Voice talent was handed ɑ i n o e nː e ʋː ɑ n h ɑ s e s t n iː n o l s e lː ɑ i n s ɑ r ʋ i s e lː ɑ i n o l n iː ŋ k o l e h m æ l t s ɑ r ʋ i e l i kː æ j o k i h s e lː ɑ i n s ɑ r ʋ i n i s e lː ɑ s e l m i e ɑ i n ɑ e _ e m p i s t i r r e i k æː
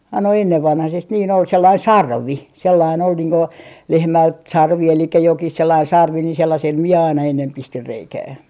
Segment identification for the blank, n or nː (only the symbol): nː